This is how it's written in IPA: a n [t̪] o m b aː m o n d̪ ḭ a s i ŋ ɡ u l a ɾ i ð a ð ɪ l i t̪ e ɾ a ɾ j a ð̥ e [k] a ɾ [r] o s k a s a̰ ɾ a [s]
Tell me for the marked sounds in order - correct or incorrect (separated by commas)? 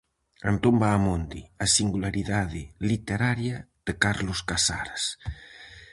correct, correct, incorrect, correct